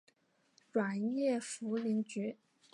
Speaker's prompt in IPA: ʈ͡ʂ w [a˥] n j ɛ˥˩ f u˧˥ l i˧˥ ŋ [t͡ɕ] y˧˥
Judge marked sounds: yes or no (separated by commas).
no, yes